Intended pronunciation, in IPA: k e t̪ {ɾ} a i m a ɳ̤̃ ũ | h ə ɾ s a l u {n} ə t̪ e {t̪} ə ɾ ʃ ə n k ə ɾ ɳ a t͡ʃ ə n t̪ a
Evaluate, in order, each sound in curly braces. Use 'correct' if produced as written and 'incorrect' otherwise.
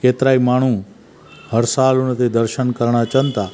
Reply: correct, correct, incorrect: d̪

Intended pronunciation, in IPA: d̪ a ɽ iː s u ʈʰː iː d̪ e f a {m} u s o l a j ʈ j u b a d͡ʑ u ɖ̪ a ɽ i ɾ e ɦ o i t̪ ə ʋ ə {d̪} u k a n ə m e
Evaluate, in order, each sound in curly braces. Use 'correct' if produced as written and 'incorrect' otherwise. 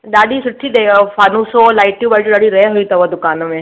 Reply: incorrect: n, correct

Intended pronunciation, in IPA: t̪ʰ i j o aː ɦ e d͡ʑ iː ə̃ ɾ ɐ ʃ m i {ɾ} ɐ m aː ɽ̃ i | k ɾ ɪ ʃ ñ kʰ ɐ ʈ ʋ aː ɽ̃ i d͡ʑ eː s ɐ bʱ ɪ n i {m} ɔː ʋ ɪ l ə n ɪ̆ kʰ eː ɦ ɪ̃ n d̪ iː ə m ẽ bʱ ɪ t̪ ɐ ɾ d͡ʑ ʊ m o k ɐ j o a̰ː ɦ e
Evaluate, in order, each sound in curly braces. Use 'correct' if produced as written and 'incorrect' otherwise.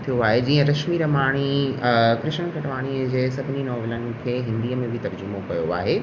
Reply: correct, incorrect: n

